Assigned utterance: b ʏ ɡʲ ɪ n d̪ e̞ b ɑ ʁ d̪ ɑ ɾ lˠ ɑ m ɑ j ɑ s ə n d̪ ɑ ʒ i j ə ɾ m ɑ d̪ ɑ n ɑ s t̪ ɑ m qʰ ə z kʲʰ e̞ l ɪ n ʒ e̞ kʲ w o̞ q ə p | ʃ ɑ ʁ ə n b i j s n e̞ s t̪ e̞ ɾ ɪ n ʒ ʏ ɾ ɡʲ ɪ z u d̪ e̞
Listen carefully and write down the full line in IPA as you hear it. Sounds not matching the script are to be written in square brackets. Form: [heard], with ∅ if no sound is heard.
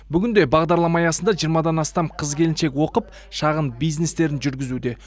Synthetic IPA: b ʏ ɡʲ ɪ n d̪ e̞ b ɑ ʁ d̪ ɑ ɾ lˠ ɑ m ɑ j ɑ s ə n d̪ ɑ ʒ i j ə ɾ m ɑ d̪ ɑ n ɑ s t̪ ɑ m qʰ ə z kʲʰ e̞ l ɪ n [ʃ] e̞ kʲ w o̞ q ə p | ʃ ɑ ʁ ə n b i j [z] n e̞ s t̪ e̞ ɾ ɪ n ʒ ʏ ɾ ɡʲ ɪ z u d̪ e̞